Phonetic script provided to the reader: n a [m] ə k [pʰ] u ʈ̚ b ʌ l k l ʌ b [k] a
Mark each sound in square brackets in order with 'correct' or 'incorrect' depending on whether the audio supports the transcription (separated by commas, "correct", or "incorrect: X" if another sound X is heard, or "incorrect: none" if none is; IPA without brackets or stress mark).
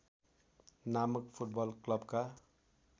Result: correct, correct, correct